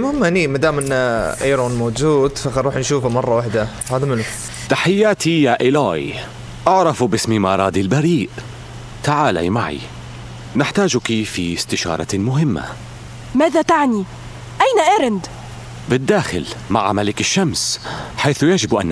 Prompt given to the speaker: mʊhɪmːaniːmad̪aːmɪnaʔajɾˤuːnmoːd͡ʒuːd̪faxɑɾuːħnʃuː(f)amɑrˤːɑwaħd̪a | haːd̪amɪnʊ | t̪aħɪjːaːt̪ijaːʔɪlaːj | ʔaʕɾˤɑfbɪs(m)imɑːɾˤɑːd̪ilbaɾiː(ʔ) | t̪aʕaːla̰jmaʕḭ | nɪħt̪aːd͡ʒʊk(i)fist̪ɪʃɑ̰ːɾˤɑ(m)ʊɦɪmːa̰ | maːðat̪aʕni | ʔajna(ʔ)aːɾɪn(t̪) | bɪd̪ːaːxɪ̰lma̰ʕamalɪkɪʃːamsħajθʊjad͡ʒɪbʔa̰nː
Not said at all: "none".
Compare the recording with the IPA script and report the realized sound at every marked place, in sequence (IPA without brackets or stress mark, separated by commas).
f, m, ʔ, i, m, ʔ, d̪